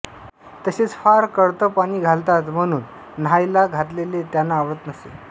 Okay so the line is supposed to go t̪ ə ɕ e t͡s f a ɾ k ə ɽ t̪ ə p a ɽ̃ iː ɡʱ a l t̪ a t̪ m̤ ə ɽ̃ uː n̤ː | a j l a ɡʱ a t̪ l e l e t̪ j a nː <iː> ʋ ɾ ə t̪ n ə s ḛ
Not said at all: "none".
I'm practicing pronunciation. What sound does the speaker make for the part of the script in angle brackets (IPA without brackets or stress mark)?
aː